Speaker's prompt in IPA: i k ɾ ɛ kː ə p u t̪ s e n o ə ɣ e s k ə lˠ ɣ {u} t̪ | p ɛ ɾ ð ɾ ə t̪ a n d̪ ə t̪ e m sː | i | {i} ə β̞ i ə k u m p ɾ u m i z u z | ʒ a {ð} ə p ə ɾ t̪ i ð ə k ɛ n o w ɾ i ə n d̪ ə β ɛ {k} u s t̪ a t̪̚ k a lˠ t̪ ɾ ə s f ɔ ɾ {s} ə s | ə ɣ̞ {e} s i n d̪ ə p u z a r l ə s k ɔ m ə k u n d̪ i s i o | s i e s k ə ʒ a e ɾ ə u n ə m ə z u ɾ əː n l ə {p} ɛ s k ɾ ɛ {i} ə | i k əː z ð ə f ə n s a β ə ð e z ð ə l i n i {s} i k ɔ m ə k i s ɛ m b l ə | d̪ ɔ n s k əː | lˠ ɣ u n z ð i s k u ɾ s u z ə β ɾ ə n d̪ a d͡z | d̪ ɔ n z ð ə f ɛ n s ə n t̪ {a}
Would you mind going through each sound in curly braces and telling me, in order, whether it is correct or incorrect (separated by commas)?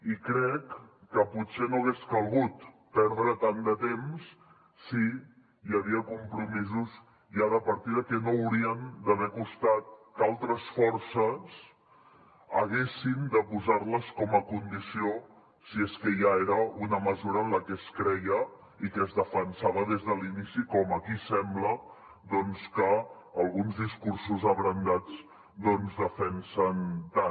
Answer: correct, incorrect, correct, correct, correct, correct, incorrect, incorrect, correct, correct